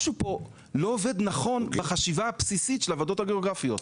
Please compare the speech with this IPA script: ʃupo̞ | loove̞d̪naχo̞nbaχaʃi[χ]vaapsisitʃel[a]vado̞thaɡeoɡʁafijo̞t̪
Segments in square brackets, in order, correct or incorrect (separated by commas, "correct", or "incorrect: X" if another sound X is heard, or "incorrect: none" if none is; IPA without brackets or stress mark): incorrect: none, correct